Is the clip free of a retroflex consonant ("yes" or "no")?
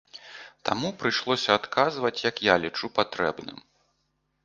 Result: no